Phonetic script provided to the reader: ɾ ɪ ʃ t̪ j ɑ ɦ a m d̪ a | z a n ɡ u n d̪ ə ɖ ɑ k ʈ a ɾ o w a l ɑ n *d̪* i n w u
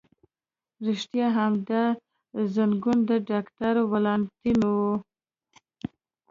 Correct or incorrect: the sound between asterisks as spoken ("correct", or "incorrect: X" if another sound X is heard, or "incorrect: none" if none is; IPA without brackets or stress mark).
incorrect: t̪